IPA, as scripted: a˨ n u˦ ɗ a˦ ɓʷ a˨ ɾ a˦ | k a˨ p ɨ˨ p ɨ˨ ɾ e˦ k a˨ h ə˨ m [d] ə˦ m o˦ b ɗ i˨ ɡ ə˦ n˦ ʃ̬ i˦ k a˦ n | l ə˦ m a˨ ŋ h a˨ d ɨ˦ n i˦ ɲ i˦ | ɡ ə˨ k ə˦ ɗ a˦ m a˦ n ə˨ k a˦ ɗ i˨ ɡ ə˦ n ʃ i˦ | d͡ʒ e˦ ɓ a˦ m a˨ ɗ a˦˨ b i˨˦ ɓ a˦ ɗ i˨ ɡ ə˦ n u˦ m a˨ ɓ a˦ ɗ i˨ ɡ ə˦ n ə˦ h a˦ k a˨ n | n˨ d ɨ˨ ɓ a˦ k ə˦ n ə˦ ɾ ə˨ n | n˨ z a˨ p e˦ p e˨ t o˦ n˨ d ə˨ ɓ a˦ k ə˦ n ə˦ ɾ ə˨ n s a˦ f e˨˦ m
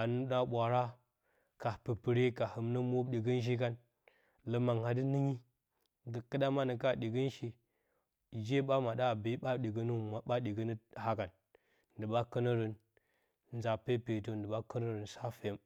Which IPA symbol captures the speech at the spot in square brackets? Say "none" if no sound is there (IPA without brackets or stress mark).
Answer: n